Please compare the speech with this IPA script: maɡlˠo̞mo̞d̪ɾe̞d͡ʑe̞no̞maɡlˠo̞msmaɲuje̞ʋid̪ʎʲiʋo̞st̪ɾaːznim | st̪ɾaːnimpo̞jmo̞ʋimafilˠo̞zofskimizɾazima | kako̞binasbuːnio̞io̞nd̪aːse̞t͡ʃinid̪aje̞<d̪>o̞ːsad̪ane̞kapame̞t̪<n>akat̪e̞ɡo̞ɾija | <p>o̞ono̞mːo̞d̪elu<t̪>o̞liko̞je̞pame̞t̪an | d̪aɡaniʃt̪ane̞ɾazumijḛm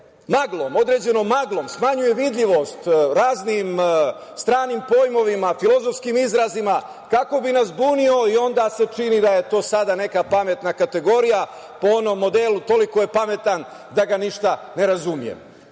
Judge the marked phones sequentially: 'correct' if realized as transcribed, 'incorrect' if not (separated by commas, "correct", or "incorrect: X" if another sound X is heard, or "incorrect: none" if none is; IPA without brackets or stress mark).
incorrect: t̪, correct, correct, correct